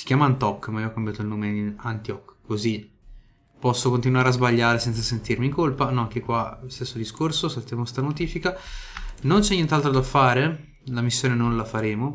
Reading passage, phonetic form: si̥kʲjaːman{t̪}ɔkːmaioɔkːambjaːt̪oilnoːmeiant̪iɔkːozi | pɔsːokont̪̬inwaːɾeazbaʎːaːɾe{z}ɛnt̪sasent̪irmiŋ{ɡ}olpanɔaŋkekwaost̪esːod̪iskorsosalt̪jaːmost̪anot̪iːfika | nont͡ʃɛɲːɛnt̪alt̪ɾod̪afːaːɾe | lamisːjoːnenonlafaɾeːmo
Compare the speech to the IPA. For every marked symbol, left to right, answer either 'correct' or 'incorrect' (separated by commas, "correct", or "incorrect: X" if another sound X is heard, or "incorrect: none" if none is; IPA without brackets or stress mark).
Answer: correct, incorrect: s, incorrect: k